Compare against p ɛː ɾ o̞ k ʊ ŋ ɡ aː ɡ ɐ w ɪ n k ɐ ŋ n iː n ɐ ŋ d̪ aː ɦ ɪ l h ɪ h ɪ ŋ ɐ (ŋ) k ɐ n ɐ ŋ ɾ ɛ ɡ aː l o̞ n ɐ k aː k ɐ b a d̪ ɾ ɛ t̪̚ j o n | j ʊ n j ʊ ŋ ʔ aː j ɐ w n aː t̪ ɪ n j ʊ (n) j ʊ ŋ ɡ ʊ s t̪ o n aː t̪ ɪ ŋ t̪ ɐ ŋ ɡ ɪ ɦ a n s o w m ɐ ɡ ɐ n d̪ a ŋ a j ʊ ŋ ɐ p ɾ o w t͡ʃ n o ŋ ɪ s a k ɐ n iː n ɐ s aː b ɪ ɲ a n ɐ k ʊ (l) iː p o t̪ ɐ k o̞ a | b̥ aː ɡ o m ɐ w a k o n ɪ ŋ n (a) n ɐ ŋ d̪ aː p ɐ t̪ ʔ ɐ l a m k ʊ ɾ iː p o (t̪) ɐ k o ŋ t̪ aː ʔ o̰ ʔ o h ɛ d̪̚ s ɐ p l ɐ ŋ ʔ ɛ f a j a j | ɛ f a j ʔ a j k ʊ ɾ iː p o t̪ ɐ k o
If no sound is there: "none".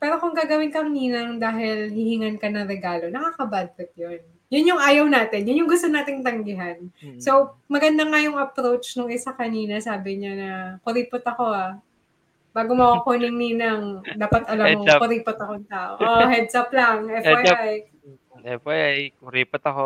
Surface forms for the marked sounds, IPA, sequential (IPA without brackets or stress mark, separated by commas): n, n, ɾ, i, t̪